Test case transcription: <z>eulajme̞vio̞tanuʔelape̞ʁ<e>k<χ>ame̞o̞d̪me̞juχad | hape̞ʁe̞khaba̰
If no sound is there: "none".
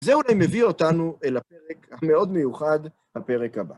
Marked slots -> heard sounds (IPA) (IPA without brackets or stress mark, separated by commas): z, e, h